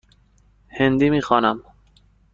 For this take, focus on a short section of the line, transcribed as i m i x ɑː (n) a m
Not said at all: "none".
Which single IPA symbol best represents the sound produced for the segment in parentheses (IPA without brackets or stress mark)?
n